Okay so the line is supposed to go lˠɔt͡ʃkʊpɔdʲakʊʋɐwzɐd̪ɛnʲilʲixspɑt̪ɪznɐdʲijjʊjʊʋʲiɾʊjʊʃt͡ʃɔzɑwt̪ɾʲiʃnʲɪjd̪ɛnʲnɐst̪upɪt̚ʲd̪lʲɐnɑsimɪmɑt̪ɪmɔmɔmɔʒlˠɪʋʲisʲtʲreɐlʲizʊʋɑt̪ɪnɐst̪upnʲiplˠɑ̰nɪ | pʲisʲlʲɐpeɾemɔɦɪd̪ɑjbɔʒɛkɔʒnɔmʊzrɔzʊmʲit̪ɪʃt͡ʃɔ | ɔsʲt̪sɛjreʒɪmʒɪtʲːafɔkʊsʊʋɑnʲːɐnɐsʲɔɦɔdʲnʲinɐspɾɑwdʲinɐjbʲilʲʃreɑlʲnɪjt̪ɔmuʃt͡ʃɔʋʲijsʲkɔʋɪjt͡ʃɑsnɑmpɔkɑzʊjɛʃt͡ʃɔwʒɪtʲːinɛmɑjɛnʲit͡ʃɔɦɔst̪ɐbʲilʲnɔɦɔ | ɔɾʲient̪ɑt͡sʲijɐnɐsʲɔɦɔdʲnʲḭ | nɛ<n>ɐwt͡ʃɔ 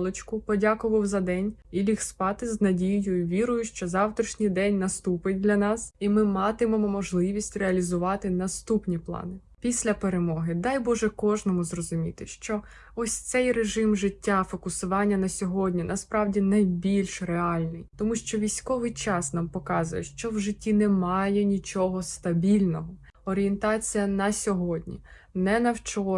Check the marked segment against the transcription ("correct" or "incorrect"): correct